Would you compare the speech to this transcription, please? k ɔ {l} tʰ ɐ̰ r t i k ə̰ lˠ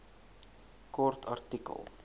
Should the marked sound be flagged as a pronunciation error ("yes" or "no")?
yes